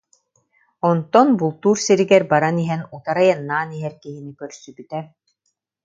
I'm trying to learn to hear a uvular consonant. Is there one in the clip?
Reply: no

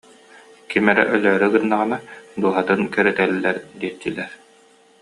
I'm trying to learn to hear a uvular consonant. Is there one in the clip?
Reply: yes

